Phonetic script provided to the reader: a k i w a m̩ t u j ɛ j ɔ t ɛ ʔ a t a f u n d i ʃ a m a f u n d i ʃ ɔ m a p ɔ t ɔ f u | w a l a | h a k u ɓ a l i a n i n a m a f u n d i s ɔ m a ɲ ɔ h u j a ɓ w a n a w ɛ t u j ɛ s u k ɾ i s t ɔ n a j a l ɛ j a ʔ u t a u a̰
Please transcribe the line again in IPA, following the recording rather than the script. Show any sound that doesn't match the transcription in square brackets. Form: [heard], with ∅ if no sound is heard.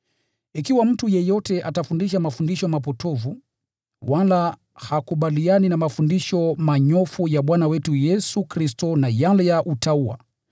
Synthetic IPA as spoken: [i] k i w a m̩ t u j ɛ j ɔ t ɛ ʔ a t a f u n d i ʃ a m a f u n d i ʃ ɔ m a p ɔ t ɔ [v] u | w a l a | h a k u ɓ a l i a n i n a m a f u n d i [ʃ] ɔ m a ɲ ɔ [f] u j a ɓ w a n a w ɛ t u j ɛ s u k ɾ i s t ɔ n a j a l ɛ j a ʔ u t a u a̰

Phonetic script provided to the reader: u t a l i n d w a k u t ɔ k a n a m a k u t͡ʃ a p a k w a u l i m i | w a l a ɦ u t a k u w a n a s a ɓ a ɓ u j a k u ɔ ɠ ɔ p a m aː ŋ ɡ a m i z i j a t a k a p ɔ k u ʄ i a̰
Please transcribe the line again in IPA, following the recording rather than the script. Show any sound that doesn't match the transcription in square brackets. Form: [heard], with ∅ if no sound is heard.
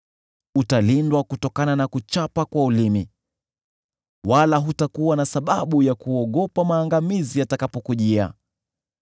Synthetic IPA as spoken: u t a l i n d w a k u t ɔ k a n a [n] a k u t͡ʃ a p a k w a u l i m i | w a l a ɦ u t a k u w a n a s a ɓ a ɓ u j a k u ɔ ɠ ɔ p a m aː ŋ ɡ a m i z i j a t a k a p ɔ k u ʄ i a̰

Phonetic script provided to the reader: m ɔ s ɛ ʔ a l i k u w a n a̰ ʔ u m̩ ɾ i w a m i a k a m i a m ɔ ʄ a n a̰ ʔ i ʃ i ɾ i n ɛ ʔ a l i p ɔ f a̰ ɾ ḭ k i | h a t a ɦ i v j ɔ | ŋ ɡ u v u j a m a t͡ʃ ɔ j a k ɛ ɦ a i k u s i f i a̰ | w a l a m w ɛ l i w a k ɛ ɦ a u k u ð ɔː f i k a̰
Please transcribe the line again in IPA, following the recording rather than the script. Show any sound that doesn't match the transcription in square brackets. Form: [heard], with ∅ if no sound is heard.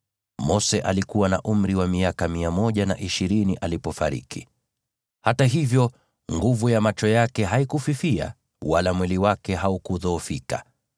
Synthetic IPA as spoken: m ɔ s ɛ ʔ a l i k u w a n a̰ ʔ u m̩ ɾ i w a m i a k a m i a m ɔ ʄ a n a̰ ʔ i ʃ i ɾ i n [i] ʔ a l i p ɔ f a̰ ɾ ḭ k i | h a t a ɦ i v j ɔ | ŋ ɡ u v u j a m a t͡ʃ ɔ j a k ɛ ɦ a i k u [f] i f i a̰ | w a l a m w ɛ l i w a k ɛ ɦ a u k u ð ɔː f i k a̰

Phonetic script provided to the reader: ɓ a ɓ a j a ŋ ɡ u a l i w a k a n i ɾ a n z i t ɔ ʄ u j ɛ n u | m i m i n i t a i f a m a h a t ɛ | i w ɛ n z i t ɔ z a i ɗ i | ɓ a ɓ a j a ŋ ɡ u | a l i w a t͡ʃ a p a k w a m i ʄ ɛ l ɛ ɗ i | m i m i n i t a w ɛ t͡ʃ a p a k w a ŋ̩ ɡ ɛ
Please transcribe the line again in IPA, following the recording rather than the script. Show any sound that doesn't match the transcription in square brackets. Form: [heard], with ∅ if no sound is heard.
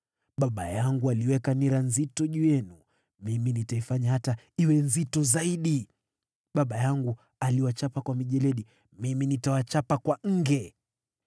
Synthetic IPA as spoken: ɓ a ɓ a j a ŋ ɡ u a l i w [ɛ] k a n i ɾ a n z i t ɔ ʄ u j ɛ n u | m i m i n i t a i f a [ɲ] a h a t [a] | i w ɛ n z i t ɔ z a i ɗ i | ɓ a ɓ a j a ŋ ɡ u | a l i w a t͡ʃ a p a k w a m i ʄ ɛ l ɛ ɗ i | m i m i n i t a w [a] t͡ʃ a p a k w a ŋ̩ ɡ ɛ

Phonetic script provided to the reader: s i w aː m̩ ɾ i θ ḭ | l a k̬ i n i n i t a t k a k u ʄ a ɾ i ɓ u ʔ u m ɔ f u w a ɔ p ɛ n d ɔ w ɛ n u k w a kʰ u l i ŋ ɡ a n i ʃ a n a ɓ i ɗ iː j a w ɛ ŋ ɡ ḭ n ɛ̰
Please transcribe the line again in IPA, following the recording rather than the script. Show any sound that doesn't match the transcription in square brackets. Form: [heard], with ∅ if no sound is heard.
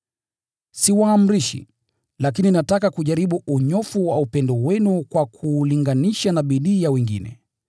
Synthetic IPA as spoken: s i w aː m̩ ɾ i [ʃ] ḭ | l a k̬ i n i n [a] t a [∅] k a k u ʄ a ɾ i ɓ u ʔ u [ɲ] ɔ f u w a [u] p ɛ n d ɔ w ɛ n u k w a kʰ u l i ŋ ɡ a n i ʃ a n a ɓ i ɗ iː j a w ɛ ŋ ɡ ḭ n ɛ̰

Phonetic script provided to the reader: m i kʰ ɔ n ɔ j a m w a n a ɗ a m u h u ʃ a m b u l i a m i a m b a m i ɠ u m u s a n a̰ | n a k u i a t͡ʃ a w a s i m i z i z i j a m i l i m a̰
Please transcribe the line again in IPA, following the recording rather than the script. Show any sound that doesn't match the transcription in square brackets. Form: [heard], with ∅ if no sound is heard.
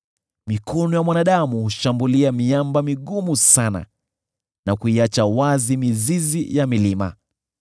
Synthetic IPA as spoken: m i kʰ ɔ n ɔ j a m w a n a ɗ a m u h u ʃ a m b u l i a m i a m b a m i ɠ u m u s a n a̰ | n a k u i a t͡ʃ a w a [z] i m i z i z i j a m i l i m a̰

